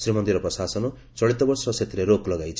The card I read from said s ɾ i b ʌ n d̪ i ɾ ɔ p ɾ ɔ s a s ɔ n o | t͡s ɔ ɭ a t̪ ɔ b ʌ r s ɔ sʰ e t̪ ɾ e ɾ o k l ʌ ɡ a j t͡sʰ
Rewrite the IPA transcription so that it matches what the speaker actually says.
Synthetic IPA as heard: s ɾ i m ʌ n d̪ i ɾ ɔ p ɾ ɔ s a s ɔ n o | t͡s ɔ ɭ i t̪ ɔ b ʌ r s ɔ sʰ e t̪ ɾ e ɾ o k l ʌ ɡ a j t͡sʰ